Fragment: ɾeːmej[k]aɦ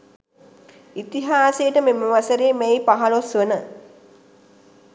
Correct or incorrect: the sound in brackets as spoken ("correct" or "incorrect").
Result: incorrect